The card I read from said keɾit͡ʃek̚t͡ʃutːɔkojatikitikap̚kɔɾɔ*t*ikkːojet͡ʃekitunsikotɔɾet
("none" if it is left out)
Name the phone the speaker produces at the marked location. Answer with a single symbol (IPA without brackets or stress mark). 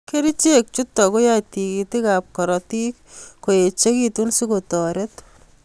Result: t